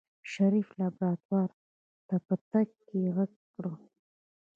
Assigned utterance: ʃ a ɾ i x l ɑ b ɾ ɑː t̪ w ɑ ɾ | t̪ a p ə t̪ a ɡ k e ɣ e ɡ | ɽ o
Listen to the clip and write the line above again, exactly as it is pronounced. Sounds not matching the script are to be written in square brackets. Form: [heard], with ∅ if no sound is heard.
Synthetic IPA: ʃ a ɾ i [f] l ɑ b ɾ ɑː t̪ w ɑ ɾ | t̪ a p ə t̪ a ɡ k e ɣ [a] ɡ | ɽ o